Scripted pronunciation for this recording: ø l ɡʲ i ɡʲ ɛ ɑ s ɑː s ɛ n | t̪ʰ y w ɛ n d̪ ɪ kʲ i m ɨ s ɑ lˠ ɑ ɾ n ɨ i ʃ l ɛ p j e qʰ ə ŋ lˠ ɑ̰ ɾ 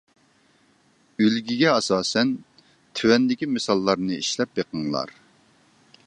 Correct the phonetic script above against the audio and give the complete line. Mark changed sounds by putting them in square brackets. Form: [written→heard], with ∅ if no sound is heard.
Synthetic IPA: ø l ɡʲ i ɡʲ ɛ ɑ s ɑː s ɛ n | t̪ʰ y w ɛ n d̪ ɪ kʲ i m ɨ s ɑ [lˠ→lˠː] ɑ ɾ n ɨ i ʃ l ɛ p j e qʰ ə ŋ lˠ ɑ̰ ɾ